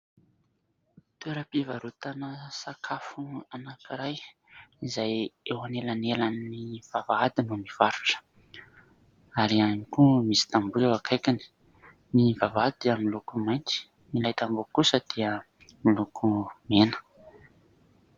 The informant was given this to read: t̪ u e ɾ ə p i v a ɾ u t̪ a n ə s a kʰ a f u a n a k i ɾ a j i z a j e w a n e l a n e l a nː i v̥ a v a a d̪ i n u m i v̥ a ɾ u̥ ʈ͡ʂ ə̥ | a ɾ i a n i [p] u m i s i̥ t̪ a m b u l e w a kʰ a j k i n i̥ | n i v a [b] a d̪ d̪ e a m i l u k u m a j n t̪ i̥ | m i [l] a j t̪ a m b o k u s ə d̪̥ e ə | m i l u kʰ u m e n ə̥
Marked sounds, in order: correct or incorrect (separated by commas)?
incorrect, incorrect, correct